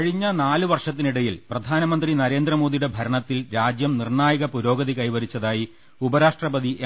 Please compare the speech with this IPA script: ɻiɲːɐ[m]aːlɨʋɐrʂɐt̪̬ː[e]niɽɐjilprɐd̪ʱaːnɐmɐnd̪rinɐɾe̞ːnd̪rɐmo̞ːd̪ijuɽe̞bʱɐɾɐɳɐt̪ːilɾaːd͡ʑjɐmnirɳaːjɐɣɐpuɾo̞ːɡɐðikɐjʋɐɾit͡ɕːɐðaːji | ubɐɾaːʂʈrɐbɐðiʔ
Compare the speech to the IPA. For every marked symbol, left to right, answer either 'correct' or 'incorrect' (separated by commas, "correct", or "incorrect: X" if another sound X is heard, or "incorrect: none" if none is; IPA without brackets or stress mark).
incorrect: n, incorrect: i